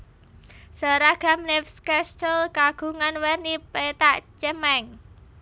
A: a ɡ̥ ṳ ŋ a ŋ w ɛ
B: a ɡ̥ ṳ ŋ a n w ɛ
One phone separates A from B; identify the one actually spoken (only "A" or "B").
B